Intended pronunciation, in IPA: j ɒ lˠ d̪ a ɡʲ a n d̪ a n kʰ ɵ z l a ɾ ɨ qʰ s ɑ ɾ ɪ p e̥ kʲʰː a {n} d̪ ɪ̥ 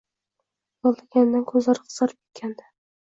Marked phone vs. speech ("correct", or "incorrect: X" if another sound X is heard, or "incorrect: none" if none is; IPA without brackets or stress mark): correct